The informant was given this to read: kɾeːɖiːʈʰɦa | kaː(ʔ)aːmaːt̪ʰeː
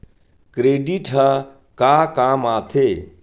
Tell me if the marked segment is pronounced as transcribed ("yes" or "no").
no